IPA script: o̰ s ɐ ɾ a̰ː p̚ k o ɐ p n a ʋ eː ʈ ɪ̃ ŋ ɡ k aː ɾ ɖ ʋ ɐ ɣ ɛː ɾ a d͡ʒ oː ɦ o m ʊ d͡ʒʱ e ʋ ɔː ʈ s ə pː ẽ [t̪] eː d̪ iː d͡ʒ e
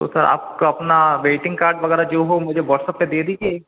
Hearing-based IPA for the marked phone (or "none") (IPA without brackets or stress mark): d̪